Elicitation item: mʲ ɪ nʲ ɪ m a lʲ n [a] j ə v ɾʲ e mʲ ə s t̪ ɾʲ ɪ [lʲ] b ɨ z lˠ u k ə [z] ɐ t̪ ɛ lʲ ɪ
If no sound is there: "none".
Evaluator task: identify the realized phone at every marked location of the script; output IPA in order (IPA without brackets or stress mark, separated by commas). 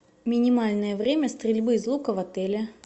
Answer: ə, lʲ, v